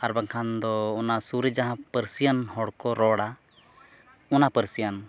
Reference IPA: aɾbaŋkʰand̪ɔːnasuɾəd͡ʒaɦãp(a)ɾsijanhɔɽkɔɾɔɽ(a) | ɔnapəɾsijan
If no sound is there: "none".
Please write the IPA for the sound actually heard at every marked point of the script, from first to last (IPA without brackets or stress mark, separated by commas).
ə, a